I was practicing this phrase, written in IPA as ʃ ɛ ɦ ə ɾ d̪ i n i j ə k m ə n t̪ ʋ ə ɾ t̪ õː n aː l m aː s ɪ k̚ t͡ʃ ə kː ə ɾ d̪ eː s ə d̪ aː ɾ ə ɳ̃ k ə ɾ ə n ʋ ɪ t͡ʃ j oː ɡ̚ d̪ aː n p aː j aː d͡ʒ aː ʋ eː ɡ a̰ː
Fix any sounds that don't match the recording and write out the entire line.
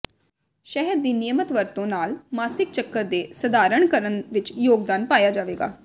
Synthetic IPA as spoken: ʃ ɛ ɦ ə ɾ d̪ iː n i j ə m ə t̪ ʋ ə ɾ t̪ õː n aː l m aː s ɪ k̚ t͡ʃ ə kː ə ɾ d̪ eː s ə d̪ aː ɾ ə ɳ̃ k ə ɾ ə n ʋ ɪ t͡ʃ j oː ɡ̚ d̪ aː n p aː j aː d͡ʒ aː ʋ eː ɡ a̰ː

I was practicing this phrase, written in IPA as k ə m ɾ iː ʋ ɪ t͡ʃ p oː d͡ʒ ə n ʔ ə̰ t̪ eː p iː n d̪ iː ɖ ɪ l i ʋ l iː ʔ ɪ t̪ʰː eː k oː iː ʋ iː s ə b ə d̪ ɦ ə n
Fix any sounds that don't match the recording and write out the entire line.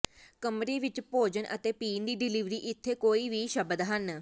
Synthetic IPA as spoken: k ə m ɾ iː ʋ ɪ t͡ʃ p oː d͡ʒ ə n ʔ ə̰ t̪ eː p iː n d̪ iː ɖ ɪ l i ʋ ɾ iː ʔ ɪ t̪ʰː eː k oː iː ʋ iː ʃ ə b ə d̪ ɦ ə n

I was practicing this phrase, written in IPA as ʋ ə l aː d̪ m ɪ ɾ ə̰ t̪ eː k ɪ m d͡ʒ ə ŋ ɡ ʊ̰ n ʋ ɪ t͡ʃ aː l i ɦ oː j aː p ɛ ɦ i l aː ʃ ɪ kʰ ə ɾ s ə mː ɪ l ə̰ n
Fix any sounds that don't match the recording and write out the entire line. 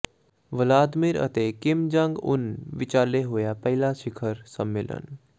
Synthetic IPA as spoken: ʋ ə l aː d̪ m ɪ ɾ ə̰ t̪ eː k ɪ m d͡ʒ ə ŋ ɡ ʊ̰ n ʋ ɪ t͡ʃ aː l e ɦ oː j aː p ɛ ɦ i l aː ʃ ɪ kʰ ə ɾ s ə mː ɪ l ə̰ n

